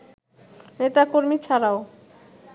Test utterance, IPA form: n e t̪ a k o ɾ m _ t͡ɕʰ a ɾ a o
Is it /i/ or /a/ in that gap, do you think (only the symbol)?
i